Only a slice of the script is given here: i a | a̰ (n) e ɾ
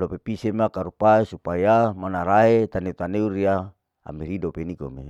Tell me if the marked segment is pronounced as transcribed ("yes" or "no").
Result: no